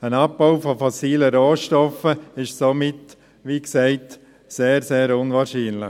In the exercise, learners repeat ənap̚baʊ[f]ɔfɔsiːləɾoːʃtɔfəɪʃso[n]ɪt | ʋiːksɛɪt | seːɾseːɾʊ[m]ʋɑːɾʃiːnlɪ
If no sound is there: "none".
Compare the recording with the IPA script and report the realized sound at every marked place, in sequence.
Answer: f, m, n

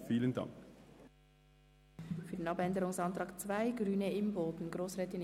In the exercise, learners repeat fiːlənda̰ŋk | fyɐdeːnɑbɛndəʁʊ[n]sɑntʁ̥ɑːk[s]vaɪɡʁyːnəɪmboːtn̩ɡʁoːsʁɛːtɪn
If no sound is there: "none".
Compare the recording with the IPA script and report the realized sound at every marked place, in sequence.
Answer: ŋ, t͡s

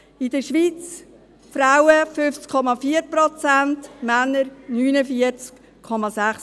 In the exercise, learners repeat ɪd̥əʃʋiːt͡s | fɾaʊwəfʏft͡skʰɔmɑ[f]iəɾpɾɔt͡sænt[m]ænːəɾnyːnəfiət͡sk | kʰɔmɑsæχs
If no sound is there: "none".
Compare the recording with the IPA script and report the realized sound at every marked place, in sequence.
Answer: f, m

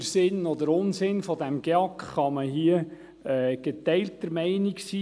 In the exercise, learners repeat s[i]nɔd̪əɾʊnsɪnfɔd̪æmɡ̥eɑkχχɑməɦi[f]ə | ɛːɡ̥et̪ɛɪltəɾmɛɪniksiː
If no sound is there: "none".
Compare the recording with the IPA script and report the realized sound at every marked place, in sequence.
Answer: ɪ, none

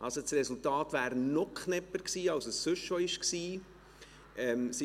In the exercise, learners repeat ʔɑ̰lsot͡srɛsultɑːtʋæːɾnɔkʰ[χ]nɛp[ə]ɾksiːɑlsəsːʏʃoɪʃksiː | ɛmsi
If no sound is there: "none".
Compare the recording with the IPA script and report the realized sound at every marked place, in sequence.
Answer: χ, ə

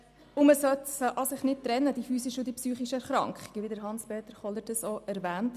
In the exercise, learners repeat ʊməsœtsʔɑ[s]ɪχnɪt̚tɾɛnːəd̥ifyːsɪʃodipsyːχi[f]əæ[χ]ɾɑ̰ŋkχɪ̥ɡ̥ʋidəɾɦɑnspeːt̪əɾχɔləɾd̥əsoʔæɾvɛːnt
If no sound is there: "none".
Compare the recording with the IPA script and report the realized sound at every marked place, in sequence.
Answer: s, ʃ, χ

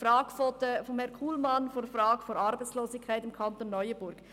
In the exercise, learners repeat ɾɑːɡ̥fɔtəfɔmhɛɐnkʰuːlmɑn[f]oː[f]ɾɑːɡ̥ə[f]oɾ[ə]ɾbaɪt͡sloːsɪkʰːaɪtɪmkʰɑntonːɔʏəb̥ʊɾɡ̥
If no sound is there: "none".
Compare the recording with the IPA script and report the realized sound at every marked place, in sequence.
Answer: f, f, f, ɑ

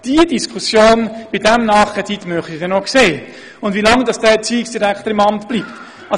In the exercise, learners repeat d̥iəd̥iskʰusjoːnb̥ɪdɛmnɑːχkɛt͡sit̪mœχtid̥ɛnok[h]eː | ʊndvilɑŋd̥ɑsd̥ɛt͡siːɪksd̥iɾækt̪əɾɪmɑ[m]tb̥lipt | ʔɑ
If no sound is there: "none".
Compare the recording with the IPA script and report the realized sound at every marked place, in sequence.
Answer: s, m

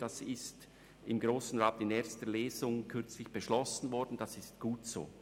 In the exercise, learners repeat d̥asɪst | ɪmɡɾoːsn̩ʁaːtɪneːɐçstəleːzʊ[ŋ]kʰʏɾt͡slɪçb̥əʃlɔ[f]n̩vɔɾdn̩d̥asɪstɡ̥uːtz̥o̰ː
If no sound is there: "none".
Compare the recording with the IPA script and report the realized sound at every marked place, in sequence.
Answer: ŋ, s

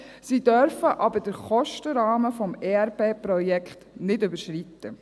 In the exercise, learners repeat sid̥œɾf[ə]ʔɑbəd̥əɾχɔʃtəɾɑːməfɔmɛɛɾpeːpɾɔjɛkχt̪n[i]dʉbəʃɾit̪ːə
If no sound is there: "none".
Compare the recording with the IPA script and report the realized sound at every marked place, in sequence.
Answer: ə, ɪ

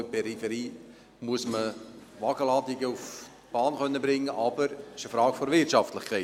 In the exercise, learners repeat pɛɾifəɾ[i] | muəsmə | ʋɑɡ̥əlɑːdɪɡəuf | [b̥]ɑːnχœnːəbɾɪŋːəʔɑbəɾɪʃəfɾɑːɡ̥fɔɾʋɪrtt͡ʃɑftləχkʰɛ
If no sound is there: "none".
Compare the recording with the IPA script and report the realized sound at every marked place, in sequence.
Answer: iː, b̥

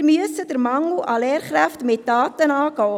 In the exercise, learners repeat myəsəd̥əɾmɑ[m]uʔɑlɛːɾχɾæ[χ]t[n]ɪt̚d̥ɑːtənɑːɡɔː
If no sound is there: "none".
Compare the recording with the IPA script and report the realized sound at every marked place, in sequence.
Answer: ŋ, f, m

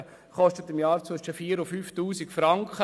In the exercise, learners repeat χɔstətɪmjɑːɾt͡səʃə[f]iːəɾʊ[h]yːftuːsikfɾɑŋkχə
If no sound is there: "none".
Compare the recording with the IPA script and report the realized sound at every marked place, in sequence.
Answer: f, f

